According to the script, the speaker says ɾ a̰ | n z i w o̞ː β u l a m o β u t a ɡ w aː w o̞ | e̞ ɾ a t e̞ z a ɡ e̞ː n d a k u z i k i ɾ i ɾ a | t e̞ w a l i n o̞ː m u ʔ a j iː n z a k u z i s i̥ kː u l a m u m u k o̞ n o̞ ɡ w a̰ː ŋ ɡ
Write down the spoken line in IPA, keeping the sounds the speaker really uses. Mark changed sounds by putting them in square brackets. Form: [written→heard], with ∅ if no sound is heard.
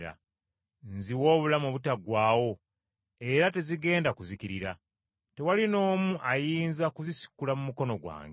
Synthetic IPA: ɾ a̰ | n z i w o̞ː β u l a m o β u t a ɡ w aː w o̞ | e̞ ɾ a t e̞ z [a→i] ɡ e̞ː n d a k u z i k i ɾ i ɾ a | t e̞ w a l i n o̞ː m u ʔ a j iː n z a k u z i s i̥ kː u l a m u m u k o̞ n o̞ ɡ w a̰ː ŋ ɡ